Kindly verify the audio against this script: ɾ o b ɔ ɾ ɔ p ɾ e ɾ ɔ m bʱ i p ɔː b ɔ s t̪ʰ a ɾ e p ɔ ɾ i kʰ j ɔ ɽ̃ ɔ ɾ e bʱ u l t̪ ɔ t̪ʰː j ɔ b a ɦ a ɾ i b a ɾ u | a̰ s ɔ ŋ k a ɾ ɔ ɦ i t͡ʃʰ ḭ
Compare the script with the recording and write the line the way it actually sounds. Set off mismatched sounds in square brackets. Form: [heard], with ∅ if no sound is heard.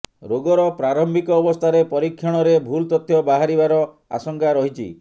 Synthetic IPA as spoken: ɾ o [ɡ] ɔ ɾ ɔ p ɾ [a] ɾ ɔ m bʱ i [k] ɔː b ɔ s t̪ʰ a ɾ e p ɔ ɾ i kʰ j ɔ ɽ̃ ɔ ɾ e bʱ u l t̪ ɔ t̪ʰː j ɔ b a ɦ a ɾ i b a ɾ [ɔ] | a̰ s ɔ ŋ k a ɾ ɔ ɦ i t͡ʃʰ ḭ